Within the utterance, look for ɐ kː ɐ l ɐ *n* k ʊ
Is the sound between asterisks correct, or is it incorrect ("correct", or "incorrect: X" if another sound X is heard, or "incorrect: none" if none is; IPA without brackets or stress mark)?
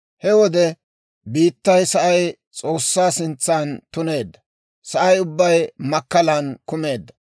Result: correct